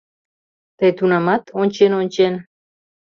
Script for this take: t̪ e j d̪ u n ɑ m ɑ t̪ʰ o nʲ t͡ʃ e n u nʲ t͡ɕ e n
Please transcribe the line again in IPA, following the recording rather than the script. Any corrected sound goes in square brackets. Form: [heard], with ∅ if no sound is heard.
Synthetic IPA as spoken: t̪ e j [t̪] u n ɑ m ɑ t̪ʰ o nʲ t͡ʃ e n [o] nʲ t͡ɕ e n